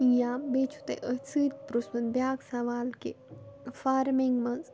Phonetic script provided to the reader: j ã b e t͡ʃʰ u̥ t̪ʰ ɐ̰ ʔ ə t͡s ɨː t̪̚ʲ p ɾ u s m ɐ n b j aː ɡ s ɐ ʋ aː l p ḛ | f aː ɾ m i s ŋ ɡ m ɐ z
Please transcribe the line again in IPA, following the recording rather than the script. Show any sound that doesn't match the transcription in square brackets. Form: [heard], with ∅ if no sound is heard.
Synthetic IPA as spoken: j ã b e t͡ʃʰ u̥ [t̪] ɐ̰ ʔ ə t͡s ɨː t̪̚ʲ p ɾ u s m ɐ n b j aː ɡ s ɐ ʋ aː l [k] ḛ | f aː ɾ m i [∅] ŋ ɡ m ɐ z